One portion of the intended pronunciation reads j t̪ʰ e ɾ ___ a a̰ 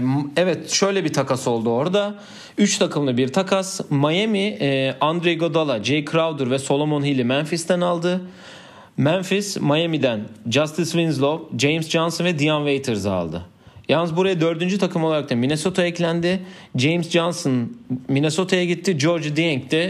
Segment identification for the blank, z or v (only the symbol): z